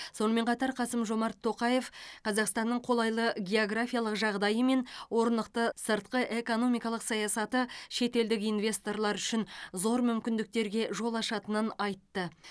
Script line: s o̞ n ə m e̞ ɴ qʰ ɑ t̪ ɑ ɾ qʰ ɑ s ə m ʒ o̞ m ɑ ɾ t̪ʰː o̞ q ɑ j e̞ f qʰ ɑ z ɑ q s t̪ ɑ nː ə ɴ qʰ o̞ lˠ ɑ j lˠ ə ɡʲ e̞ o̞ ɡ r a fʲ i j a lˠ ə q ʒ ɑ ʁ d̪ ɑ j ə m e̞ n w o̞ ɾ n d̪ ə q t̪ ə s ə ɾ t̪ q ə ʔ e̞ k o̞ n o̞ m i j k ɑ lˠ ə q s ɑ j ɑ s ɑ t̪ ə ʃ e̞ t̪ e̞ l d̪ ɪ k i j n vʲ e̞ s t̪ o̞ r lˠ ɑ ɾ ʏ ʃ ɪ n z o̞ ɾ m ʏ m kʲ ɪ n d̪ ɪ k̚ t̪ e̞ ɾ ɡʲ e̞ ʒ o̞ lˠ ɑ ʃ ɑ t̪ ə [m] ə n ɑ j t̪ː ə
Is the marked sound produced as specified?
no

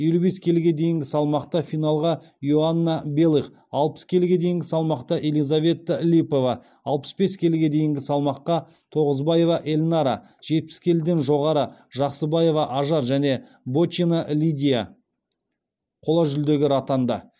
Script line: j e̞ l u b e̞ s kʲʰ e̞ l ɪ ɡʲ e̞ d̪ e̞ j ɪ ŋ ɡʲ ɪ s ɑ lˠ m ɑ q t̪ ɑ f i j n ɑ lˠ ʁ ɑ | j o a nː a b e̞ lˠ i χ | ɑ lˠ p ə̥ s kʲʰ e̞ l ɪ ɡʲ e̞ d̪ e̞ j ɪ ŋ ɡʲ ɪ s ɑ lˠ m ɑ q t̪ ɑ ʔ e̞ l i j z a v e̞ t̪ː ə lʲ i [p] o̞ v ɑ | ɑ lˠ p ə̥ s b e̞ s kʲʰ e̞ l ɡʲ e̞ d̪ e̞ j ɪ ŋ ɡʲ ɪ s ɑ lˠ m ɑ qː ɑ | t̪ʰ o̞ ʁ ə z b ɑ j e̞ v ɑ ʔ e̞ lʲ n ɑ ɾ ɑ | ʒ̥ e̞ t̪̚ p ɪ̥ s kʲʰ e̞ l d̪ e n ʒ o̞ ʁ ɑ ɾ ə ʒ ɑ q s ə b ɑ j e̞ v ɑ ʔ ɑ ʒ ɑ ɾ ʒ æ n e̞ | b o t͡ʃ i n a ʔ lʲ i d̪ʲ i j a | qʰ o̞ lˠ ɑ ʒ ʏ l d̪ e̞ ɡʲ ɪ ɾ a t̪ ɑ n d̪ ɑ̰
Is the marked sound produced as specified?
yes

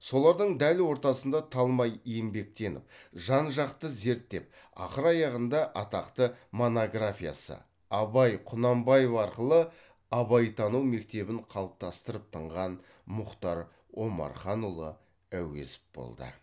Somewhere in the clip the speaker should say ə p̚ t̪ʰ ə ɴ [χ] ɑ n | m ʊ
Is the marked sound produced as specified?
no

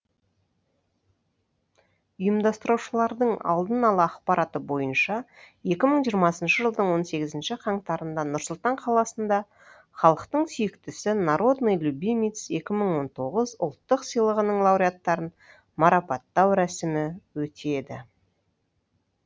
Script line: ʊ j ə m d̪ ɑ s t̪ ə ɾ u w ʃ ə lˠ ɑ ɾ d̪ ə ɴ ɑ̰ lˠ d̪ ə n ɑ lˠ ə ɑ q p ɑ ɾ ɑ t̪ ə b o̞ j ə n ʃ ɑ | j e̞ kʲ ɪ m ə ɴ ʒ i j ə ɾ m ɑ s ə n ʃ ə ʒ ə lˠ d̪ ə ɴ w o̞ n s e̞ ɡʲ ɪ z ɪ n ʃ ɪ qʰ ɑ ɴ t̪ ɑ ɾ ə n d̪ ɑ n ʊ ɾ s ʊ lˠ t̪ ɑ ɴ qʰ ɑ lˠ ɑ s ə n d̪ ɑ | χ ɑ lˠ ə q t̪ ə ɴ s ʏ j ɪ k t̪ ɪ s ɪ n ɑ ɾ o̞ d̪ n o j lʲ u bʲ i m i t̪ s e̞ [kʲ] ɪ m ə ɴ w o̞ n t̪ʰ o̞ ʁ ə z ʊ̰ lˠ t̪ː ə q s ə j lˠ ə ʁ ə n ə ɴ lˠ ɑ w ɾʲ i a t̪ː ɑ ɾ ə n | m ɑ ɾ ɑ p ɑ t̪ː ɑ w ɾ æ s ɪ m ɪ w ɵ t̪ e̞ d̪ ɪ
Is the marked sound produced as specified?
yes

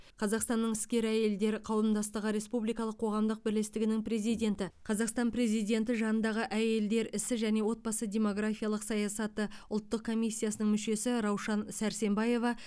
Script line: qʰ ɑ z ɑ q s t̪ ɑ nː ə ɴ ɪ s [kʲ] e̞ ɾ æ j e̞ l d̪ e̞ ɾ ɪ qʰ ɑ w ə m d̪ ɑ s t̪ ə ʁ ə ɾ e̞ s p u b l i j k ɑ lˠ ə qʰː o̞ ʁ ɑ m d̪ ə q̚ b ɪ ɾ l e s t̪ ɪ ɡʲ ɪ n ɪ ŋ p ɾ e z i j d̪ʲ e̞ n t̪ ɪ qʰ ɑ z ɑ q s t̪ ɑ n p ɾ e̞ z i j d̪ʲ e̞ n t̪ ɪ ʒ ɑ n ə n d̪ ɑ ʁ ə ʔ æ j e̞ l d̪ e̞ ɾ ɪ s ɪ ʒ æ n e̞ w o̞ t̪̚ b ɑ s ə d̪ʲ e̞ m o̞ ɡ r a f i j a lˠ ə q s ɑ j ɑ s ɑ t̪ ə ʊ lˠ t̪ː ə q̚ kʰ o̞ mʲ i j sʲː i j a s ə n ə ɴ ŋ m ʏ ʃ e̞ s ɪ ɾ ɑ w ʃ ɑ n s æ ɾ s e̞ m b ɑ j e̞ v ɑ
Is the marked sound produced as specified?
yes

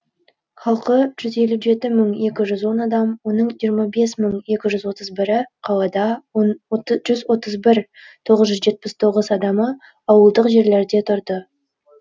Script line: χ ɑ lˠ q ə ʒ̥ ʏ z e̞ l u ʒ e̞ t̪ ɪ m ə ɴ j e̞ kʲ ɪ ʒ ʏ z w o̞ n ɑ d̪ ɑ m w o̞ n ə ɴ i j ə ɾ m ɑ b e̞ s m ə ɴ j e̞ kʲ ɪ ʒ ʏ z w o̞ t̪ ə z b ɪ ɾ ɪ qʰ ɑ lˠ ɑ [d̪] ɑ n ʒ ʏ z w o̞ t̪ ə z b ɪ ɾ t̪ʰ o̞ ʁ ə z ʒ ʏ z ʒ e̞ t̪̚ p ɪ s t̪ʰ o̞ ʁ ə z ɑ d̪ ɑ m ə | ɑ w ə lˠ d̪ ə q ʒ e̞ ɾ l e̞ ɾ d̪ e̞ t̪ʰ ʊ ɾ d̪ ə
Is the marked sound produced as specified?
yes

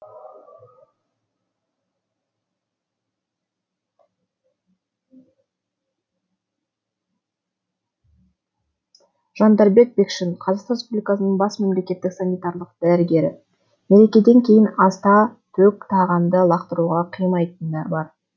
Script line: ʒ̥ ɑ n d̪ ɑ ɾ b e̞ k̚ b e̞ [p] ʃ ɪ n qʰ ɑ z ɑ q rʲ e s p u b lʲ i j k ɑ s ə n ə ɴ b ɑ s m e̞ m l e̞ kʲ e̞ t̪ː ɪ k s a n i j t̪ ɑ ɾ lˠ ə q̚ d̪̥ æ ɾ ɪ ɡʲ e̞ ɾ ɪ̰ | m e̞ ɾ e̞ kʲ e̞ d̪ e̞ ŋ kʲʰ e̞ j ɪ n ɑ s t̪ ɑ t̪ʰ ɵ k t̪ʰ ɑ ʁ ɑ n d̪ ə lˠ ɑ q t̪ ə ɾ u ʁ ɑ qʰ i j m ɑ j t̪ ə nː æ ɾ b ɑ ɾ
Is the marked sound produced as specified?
no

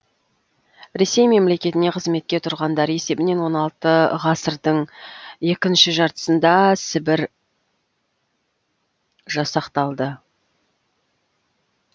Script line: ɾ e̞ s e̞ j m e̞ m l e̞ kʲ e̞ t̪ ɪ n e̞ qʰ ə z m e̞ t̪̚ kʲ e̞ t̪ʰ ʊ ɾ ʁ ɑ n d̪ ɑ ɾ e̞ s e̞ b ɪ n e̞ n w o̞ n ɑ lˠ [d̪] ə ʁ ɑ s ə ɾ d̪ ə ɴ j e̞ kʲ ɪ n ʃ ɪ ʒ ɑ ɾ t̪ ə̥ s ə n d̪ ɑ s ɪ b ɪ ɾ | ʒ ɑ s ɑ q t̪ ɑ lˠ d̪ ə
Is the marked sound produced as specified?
no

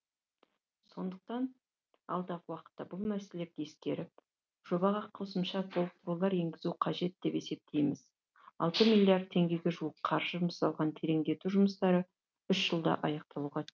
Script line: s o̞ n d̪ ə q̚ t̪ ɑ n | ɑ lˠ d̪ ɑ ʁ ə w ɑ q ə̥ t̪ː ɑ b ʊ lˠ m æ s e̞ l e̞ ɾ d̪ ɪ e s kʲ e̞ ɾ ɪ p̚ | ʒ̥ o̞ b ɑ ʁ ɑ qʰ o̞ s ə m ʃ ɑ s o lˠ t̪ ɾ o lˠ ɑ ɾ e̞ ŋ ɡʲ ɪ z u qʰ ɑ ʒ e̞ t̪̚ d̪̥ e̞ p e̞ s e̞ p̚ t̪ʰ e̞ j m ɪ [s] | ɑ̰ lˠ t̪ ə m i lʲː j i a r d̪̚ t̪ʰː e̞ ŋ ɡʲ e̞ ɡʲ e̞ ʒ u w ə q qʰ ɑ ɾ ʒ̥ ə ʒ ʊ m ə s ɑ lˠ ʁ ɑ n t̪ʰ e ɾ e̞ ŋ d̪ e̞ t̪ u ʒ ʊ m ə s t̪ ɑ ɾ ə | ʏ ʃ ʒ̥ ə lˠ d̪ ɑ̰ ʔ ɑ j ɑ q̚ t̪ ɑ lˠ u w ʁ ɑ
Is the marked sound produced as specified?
no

